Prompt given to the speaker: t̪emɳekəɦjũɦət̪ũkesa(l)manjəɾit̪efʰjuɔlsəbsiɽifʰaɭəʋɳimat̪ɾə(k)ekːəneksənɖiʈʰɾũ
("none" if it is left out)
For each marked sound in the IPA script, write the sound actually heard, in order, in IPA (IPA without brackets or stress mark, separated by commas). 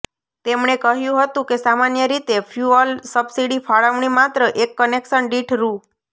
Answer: none, ʔ